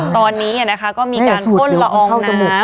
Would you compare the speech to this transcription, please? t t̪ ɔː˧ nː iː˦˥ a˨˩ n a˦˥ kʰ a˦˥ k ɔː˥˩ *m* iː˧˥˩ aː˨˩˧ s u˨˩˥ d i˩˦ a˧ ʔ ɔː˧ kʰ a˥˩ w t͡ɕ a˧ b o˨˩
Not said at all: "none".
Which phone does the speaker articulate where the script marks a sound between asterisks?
m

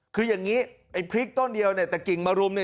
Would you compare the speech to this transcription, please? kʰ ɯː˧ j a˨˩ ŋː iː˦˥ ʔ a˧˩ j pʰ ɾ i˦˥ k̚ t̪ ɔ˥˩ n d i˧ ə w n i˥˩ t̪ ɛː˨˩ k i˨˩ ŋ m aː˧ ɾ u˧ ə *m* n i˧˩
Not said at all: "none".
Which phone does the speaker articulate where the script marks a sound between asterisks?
m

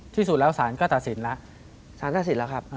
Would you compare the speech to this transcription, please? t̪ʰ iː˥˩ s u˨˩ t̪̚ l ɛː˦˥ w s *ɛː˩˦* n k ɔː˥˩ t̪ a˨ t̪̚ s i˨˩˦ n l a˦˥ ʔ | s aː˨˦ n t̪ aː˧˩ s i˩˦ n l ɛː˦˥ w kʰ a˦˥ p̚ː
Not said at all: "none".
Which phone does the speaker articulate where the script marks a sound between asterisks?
aː˩˦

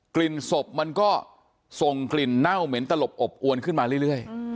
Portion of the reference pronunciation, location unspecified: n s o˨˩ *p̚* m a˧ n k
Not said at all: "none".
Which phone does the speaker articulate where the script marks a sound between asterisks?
p̚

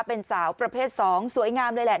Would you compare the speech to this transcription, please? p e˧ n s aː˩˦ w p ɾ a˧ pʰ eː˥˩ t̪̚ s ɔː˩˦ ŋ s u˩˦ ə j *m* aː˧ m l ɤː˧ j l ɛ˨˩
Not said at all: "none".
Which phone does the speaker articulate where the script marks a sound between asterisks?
ŋ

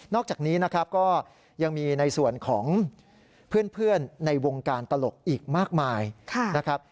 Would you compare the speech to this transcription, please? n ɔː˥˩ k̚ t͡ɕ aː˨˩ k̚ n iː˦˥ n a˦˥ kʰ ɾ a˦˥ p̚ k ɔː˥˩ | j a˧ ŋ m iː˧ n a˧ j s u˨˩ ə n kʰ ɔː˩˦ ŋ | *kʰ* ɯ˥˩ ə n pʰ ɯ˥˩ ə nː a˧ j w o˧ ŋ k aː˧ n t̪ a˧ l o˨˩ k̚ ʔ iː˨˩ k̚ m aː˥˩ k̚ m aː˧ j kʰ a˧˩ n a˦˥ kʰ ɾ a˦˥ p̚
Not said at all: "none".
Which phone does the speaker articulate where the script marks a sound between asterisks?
pʰ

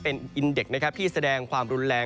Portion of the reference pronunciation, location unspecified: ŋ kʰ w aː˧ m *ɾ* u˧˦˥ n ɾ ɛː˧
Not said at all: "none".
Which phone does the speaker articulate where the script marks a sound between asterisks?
ɾ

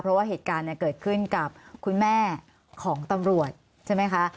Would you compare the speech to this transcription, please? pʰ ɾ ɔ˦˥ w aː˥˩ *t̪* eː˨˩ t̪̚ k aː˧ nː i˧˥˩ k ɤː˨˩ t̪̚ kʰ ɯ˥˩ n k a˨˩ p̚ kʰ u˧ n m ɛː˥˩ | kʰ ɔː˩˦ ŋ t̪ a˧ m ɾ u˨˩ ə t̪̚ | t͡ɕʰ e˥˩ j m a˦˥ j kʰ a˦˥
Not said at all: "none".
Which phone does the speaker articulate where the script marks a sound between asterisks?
none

